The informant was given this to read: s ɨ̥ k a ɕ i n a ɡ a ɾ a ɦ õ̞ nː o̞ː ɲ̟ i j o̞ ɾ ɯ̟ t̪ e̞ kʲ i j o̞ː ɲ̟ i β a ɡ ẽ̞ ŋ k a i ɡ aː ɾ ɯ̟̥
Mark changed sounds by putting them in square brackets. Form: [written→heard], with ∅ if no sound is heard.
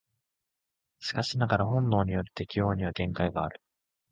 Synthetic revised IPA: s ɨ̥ k a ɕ i n a ɡ a ɾ a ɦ õ̞ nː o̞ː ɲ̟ i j o̞ ɾ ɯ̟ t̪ e̞ kʲ i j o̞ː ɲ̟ i β a ɡ ẽ̞ ŋ k a i ɡ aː ɾ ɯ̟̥

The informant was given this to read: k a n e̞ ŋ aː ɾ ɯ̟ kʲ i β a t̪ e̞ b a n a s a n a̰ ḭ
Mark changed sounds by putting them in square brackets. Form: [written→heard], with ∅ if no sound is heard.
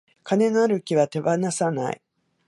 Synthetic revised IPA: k a n e̞ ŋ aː ɾ ɯ̟ kʲ i β a t̪ e̞ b a n a s a n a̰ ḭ

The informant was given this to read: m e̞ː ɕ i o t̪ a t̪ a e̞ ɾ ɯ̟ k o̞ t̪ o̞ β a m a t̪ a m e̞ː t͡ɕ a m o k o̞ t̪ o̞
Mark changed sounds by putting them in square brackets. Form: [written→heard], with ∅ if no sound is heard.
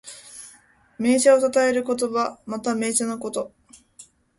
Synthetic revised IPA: m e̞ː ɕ [i→a] o t̪ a t̪ a e̞ ɾ ɯ̟ k o̞ t̪ o̞ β a m a t̪ a m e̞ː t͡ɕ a [m→n] o k o̞ t̪ o̞

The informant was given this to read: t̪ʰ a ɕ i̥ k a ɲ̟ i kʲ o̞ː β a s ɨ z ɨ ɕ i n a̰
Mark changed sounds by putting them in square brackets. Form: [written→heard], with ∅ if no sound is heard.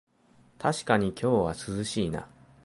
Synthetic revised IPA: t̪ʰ a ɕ i̥ k a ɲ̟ i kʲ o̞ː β a s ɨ z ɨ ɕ [i→iː] n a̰

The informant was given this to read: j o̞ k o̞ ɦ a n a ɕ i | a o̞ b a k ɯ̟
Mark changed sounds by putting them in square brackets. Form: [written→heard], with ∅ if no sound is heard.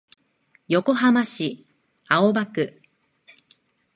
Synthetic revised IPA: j o̞ k o̞ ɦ a [n→m] a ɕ i | a o̞ b a k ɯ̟

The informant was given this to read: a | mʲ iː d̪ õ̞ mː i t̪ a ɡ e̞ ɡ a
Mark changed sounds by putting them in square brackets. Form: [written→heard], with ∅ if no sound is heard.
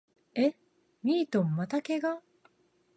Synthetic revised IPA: [a→e] | mʲ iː [d̪→t̪] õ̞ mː [i→a] t̪ a [ɡ→k] e̞ ɡ a

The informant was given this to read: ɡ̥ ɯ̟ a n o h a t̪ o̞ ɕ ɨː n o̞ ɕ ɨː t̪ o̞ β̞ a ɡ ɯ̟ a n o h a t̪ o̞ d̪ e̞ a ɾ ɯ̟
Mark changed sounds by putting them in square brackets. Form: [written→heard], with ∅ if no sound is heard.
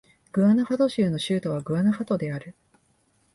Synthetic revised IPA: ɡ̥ ɯ̟ a n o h a t̪ o̞ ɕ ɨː n o̞ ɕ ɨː t̪ o̞ β̞ a ɡ ɯ̟ a n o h a t̪ o̞ d̪ e̞ a ɾ ɯ̟

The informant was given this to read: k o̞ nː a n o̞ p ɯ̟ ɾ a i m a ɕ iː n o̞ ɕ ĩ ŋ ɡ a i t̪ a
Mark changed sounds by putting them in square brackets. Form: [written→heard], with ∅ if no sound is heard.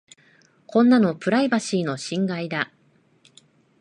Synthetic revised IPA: k [o̞→õ̞] nː a n o̞ p ɯ̟ ɾ a i [m→b] a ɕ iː n o̞ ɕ ĩ ŋ ɡ a i [t̪→d̪] a

